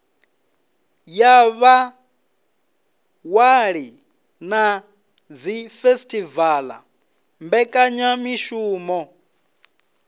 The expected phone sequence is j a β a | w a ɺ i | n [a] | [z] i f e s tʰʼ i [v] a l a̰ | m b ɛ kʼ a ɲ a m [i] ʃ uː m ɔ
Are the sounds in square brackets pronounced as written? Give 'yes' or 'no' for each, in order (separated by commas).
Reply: yes, no, yes, yes